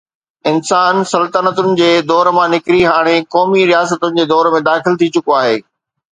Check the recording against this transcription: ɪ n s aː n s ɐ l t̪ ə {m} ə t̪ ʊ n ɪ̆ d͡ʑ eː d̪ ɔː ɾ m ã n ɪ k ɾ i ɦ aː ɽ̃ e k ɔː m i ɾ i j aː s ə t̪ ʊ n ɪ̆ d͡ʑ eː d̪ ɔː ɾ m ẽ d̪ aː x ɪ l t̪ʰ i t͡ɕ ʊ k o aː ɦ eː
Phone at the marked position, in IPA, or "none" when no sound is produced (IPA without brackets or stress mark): n